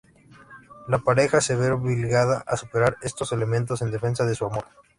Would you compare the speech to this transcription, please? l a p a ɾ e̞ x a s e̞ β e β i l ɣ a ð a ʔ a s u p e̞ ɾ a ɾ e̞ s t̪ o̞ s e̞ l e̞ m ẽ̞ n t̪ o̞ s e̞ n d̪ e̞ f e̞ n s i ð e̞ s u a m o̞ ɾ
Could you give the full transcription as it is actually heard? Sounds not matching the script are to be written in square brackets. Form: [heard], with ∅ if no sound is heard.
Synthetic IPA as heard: l a p a ɾ e̞ x a s e̞ β e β i l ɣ a ð a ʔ a s u p e̞ ɾ a ɾ e̞ s t̪ o̞ s e̞ l e̞ m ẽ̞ n t̪ o̞ s e̞ n d̪ e̞ f e̞ n s [a] ð e̞ s u a m o̞ ɾ